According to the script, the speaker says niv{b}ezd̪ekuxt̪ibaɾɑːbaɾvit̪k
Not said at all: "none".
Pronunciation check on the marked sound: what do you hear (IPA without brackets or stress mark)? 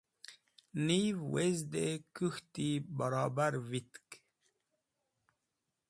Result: w